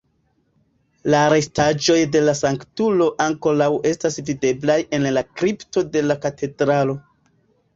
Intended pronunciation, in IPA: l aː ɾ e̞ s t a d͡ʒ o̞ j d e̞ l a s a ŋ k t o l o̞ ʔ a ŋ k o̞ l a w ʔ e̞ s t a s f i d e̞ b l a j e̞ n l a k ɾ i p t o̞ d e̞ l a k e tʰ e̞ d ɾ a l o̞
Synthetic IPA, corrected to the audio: l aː ɾ e̞ s t a d͡ʒ o̞ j d e̞ l a s a ŋ k t u l o̞ ʔ a ŋ k o̞ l a w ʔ e̞ s t a s v i d e̞ b l a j e̞ n l a k ɾ i p t o̞ d e̞ l a k a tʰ e̞ d ɾ a l o̞